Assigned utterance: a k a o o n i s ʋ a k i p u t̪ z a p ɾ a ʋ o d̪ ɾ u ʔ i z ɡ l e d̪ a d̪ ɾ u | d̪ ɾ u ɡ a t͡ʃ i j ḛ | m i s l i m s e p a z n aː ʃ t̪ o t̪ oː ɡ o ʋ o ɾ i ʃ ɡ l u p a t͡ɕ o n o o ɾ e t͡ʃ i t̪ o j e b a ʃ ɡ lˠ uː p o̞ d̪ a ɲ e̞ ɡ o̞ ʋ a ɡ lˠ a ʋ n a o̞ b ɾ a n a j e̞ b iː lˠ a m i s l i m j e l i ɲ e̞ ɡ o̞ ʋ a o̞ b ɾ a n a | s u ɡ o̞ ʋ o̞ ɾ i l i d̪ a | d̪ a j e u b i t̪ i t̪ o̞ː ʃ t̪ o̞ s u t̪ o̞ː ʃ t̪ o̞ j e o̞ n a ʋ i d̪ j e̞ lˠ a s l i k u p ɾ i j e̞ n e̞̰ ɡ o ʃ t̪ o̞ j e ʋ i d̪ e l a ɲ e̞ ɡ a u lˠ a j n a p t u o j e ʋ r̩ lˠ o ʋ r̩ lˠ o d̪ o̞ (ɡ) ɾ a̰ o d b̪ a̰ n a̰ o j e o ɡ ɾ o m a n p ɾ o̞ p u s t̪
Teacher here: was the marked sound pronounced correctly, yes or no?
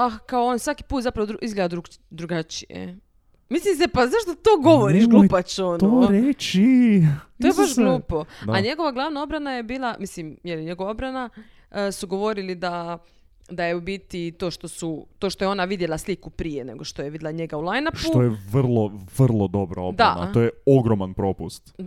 no